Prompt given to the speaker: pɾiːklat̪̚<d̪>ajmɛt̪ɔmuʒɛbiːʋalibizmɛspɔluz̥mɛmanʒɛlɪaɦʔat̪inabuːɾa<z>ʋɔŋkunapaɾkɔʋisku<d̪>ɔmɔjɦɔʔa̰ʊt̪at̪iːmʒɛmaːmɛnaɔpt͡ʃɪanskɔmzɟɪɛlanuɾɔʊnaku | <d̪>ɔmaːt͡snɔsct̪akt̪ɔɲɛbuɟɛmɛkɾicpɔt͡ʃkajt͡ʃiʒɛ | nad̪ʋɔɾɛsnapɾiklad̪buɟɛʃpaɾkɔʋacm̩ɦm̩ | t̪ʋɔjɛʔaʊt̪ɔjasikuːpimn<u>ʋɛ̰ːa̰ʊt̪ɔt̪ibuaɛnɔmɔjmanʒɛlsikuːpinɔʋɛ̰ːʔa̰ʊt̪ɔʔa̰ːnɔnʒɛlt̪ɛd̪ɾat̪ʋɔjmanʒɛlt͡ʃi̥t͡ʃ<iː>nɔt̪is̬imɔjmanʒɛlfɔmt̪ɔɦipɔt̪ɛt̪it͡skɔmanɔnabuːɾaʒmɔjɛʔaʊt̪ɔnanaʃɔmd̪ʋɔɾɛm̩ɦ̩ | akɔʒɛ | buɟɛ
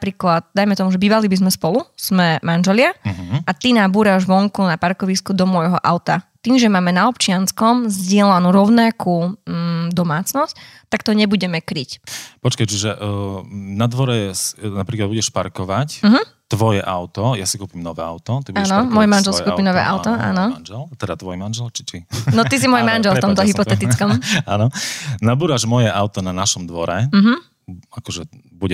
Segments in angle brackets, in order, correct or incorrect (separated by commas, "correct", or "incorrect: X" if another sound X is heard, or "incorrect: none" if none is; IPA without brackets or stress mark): correct, incorrect: ʒ, correct, correct, incorrect: ɔ, incorrect: i